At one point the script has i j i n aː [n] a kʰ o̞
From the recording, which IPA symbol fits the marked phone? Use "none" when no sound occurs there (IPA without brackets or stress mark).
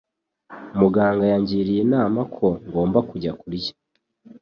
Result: m